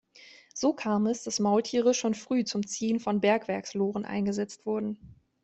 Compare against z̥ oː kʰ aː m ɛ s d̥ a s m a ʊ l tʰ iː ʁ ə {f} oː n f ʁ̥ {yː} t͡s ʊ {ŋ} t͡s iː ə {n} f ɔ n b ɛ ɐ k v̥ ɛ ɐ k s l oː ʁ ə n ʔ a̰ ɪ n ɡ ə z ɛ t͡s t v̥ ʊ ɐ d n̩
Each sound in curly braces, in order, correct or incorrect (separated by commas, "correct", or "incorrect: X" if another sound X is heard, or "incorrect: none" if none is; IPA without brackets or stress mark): incorrect: ʃ, correct, incorrect: m, correct